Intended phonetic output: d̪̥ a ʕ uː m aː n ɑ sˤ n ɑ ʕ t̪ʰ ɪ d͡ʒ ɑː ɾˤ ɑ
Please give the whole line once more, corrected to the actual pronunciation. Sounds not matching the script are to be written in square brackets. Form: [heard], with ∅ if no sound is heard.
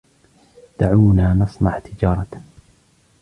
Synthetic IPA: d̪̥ a ʕ uː [n] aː n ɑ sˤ n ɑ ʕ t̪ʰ ɪ d͡ʒ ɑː ɾˤ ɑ